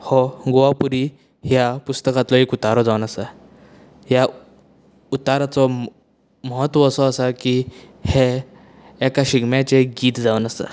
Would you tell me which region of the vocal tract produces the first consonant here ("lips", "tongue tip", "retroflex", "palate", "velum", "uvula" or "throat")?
throat